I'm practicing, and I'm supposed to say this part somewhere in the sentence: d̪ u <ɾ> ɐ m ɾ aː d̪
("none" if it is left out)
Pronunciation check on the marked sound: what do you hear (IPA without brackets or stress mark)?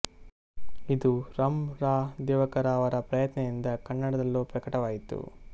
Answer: ɾ